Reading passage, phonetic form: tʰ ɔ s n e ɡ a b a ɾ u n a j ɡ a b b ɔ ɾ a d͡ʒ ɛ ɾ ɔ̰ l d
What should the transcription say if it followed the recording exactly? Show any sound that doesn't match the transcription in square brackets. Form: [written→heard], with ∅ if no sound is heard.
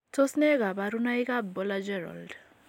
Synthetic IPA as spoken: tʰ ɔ s n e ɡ a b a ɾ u n a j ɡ a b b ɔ [ɾ→l] a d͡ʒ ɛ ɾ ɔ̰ l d